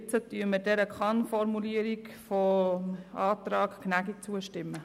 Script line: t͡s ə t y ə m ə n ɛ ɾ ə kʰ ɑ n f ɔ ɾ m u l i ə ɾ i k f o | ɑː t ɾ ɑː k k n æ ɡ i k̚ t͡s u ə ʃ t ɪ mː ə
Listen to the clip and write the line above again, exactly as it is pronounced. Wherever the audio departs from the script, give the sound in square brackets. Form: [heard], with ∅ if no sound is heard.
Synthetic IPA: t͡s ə t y ə m ə [d] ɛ ɾ ə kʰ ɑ n f ɔ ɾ m u l i ə ɾ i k f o | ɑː t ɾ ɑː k k n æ ɡ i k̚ t͡s u ə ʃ t ɪ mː ə